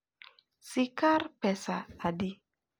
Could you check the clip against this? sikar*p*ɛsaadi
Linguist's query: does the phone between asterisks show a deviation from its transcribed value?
no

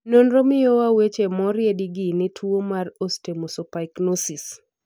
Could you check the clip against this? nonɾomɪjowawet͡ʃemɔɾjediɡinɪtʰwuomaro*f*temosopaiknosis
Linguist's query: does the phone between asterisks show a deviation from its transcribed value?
yes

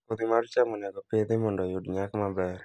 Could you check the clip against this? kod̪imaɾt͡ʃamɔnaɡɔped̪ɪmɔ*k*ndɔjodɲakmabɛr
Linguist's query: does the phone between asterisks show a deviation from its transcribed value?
yes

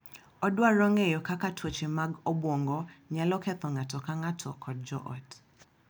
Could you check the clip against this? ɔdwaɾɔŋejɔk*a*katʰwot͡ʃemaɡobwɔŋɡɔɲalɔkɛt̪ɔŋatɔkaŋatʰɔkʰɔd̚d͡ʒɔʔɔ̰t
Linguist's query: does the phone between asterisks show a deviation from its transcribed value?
no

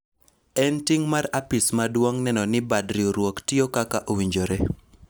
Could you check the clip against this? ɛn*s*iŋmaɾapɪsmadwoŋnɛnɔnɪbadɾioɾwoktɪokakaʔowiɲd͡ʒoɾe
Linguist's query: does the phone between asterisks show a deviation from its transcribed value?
yes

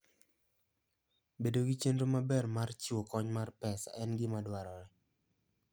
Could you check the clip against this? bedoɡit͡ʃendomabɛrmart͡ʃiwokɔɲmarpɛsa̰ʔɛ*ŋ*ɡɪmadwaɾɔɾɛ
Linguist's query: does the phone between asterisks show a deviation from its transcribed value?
yes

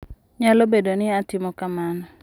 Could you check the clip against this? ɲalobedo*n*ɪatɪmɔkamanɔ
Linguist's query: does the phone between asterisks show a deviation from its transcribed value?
no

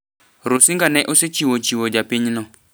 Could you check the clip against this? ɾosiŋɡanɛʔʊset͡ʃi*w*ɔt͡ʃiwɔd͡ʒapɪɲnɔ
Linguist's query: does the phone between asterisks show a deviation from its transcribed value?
no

